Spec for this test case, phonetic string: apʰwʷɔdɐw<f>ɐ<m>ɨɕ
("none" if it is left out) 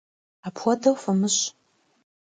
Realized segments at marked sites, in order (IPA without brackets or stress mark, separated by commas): f, m